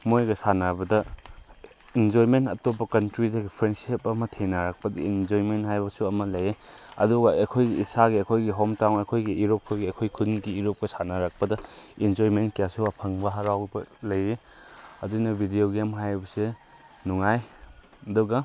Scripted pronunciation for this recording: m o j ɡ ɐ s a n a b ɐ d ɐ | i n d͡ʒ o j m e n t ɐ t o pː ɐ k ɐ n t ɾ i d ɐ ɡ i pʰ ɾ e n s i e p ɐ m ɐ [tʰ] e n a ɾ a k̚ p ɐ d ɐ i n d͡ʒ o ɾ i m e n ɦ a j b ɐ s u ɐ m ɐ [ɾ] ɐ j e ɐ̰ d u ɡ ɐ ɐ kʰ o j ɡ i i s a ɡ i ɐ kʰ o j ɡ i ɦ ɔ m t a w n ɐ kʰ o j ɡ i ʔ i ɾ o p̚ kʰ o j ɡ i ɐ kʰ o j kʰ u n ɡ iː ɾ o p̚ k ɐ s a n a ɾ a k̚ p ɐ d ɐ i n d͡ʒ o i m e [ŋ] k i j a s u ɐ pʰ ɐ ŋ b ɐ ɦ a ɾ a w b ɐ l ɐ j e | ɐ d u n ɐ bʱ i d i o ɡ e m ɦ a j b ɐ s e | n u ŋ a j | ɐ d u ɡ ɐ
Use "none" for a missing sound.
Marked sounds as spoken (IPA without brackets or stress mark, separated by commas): tʰ, l, n